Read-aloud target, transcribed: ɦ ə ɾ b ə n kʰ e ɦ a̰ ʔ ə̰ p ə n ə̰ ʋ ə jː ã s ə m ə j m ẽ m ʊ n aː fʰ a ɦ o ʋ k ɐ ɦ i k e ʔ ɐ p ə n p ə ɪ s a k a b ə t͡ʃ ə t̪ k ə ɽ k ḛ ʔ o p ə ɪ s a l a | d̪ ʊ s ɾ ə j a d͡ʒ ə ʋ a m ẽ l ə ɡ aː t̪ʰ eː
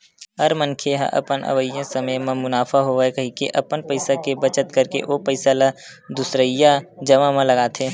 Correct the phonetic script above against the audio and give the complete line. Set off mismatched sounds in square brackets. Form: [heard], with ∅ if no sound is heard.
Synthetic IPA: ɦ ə ɾ [m] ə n kʰ e ɦ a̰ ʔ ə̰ p ə n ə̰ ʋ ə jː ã s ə m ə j m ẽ m ʊ n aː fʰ a ɦ o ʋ k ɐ ɦ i k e ʔ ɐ p ə n p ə ɪ s a k [e] b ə t͡ʃ ə t̪ k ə [ɾ] k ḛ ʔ o p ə ɪ s a l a | d̪ ʊ s ɾ ə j a d͡ʒ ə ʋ a m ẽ l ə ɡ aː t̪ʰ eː